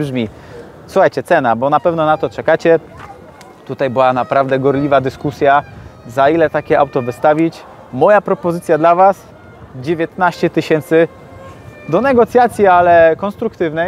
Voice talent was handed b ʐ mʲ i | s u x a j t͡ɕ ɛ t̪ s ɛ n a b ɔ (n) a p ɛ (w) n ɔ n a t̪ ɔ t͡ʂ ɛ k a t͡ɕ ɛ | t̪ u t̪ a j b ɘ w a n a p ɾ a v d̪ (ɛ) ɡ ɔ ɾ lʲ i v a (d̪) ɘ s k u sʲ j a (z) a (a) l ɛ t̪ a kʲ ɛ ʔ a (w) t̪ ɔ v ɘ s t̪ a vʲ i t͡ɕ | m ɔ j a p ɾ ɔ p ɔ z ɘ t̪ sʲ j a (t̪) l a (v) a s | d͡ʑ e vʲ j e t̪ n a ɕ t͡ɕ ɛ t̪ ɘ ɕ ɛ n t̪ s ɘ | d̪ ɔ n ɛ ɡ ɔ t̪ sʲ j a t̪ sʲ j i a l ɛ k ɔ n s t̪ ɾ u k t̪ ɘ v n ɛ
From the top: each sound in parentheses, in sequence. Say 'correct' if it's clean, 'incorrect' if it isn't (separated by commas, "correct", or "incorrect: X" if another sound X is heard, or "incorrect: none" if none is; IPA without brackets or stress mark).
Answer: correct, incorrect: v, correct, correct, correct, incorrect: i, correct, incorrect: d̪, correct